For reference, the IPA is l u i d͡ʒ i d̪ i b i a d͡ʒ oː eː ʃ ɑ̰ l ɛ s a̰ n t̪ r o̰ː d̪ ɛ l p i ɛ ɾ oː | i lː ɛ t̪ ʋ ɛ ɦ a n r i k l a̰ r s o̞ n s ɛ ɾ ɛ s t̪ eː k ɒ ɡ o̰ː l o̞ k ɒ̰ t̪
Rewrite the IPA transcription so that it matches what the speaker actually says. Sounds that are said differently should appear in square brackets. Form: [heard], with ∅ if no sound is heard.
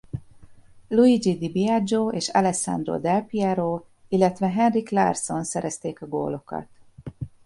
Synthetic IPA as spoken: l u i d͡ʒ i d̪ i b i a d͡ʒ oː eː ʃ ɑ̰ l ɛ s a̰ n [d̪] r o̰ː d̪ ɛ l p i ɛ ɾ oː | i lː ɛ t̪ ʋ ɛ ɦ [ɛ] n r i k l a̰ r s o̞ n s ɛ ɾ ɛ s t̪ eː k ɒ ɡ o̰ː l o̞ k ɒ̰ t̪